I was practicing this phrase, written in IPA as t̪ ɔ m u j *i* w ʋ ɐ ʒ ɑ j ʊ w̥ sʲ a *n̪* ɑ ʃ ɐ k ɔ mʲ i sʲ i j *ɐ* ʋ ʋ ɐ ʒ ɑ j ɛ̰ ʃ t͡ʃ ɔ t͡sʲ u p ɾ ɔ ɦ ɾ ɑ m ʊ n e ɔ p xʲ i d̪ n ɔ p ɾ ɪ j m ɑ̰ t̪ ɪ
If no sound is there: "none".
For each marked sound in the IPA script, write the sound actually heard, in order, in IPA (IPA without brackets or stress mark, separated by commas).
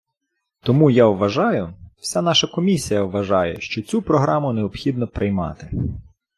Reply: a, n̪, ɐ